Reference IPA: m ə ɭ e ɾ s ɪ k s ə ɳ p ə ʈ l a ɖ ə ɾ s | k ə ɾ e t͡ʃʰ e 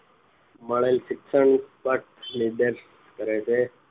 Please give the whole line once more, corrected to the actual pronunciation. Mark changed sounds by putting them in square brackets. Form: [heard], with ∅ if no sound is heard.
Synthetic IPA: m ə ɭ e [l] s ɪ k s ə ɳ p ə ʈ l [i] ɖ ə ɾ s | k ə ɾ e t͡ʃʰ e